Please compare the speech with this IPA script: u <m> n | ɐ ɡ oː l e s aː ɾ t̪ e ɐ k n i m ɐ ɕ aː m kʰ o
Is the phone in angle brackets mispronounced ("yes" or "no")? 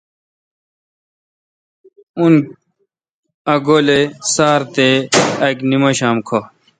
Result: yes